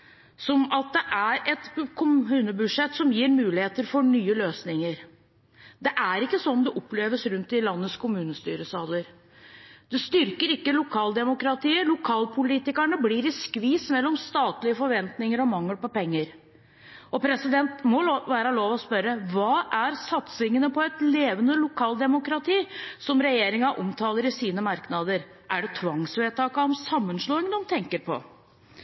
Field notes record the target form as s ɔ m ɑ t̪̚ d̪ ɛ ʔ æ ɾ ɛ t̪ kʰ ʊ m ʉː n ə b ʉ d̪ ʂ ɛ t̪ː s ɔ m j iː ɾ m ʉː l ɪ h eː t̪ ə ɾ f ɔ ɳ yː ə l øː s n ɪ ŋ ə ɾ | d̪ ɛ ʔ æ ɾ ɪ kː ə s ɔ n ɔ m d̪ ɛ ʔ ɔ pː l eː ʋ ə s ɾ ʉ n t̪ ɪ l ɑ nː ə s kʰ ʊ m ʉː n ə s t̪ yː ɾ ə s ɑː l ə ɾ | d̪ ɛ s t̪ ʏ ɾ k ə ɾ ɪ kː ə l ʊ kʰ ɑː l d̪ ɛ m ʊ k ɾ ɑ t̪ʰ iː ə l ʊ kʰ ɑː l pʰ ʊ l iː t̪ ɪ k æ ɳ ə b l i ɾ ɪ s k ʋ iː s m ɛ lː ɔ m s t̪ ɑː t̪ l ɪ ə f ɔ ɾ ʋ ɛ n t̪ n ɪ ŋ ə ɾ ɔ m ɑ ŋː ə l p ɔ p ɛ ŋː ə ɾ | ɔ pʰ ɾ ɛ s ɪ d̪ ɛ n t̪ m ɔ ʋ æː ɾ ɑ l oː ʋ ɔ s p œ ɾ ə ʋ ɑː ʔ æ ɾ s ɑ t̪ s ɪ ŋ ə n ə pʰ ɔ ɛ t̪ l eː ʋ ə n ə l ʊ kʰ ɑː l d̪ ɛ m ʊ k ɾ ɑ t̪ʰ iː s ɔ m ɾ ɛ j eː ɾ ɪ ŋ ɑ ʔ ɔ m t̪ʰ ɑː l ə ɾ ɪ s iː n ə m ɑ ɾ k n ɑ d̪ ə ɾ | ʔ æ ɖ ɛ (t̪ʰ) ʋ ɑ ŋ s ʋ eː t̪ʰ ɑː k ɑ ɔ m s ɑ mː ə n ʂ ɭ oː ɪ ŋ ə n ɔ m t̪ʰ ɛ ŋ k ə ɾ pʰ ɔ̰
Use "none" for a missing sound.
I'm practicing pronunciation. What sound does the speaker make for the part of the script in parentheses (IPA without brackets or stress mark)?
t̪ʰ